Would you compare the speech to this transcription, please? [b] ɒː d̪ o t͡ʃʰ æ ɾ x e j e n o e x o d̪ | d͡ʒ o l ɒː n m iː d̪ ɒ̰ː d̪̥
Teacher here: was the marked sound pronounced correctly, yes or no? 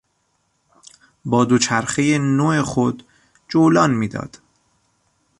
yes